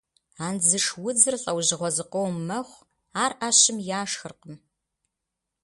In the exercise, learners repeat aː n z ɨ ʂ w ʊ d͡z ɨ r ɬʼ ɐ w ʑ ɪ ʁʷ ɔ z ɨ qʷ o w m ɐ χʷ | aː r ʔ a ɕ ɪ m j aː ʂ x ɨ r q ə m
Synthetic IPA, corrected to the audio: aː n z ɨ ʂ w ʊ d͡z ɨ r ɬʼ ɐ w ʑ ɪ ʁʷ ɔ z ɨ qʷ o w m ɐ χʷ | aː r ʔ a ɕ ɪ m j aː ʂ x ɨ r q ə m